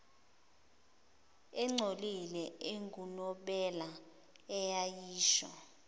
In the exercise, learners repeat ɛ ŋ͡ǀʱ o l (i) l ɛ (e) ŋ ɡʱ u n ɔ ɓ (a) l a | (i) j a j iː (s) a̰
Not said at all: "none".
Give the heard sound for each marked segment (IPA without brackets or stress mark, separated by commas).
i, e, ɛ, ɛ, ʃ